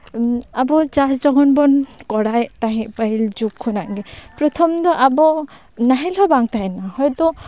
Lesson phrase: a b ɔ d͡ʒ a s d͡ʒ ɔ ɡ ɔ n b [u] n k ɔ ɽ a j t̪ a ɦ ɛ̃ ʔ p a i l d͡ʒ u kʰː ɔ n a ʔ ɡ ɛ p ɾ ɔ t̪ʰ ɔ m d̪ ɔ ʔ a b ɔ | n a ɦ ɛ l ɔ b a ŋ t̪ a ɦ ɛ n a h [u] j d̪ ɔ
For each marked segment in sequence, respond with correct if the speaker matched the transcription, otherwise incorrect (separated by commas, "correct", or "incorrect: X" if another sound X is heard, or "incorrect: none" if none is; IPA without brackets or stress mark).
incorrect: ɔ, incorrect: ɔ